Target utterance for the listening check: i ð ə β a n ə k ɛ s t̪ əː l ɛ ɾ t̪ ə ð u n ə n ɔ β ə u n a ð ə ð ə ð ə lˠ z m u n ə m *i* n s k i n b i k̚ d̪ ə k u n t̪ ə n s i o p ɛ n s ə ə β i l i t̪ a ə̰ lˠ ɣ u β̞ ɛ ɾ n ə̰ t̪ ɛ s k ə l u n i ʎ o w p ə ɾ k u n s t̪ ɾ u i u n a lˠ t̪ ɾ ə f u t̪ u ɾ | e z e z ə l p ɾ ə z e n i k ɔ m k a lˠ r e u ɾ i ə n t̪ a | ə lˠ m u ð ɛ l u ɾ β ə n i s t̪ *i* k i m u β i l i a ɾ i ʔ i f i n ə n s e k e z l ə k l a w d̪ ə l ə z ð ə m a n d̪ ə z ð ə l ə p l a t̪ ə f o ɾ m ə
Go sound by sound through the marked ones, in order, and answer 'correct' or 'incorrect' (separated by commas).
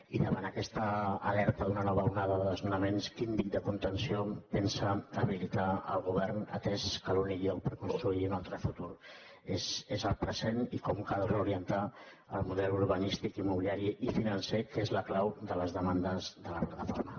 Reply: incorrect, correct